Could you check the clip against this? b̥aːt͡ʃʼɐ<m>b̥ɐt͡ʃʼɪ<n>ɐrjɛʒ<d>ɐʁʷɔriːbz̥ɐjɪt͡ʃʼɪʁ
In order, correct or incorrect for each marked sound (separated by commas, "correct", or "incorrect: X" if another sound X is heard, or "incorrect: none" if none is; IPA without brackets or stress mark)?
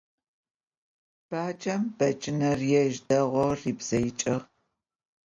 correct, correct, correct